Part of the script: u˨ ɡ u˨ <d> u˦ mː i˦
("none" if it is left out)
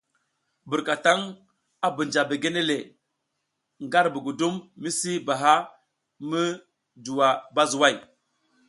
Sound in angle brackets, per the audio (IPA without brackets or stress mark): d